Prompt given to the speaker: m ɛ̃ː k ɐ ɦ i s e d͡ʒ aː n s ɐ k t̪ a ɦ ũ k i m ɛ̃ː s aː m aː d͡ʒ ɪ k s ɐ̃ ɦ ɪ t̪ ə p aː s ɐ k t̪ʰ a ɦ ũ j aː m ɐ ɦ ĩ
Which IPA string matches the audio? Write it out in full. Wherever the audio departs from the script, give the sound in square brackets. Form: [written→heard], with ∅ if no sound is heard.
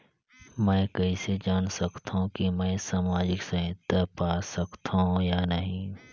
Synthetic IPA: m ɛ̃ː k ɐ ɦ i s e d͡ʒ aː n s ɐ k t̪ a ɦ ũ k i m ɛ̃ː s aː m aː d͡ʒ ɪ k s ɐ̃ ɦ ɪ t̪ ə p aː s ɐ k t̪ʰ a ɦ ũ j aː [m→n] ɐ ɦ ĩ